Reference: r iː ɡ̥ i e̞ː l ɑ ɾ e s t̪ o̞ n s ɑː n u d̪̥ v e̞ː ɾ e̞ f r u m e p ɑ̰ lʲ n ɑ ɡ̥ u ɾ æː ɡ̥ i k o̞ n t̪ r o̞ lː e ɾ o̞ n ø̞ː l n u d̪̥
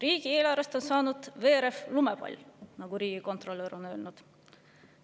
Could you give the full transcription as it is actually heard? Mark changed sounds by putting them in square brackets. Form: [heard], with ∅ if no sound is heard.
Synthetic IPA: r iː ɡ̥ i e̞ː l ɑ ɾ e s t̪ o̞ n s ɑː n u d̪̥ v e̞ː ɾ e̞ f [l] u m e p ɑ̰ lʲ n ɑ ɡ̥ u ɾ [iː] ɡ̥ i k o̞ n t̪ r o̞ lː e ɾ o̞ n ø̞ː l n u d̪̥

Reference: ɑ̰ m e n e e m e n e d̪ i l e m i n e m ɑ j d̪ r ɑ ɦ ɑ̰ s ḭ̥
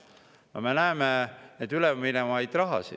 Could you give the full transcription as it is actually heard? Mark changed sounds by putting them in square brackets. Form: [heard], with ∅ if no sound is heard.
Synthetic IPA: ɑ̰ m e n [æ] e m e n e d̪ [y] l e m i n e m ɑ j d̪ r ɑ ɦ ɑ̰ s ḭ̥

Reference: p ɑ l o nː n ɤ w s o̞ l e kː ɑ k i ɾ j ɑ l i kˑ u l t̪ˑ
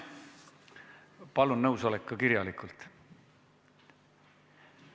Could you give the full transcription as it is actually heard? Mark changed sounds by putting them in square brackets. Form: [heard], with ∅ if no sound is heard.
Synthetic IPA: p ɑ l [u] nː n ɤ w s o̞ l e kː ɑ k i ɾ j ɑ l i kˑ u l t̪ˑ

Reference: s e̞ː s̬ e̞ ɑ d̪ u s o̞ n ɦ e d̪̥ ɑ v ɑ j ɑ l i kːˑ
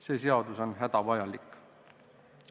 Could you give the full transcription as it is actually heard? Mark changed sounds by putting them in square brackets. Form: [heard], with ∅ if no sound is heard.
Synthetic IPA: s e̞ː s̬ e̞ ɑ d̪ u s o̞ n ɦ [æ] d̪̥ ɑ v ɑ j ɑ l i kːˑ

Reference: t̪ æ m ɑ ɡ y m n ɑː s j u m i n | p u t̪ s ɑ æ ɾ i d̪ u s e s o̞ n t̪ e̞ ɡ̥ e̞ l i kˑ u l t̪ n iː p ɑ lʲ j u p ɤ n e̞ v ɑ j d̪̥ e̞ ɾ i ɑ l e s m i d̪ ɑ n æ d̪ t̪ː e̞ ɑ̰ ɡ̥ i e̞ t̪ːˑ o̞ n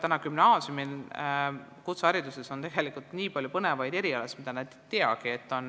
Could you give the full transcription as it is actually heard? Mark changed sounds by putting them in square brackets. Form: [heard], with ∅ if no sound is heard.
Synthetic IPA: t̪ æ [n] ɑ [k] y m n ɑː s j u m i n | [k] u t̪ s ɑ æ ɾ i d̪ u s e s o̞ n t̪ e̞ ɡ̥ e̞ l i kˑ u l t̪ n iː p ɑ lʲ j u p ɤ n e̞ v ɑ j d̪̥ e̞ ɾ i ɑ l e s m i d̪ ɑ n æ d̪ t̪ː e̞ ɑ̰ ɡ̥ i e̞ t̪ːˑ o̞ n

